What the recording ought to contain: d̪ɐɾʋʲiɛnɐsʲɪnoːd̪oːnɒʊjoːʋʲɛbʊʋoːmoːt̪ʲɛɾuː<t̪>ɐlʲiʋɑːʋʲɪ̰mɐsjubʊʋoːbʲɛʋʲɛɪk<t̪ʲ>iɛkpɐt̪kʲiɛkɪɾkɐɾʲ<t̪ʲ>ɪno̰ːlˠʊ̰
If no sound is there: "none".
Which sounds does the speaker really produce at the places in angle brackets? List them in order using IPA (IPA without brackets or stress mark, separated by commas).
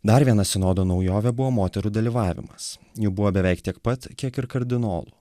d̪, t̪ʲ, d̪ʲ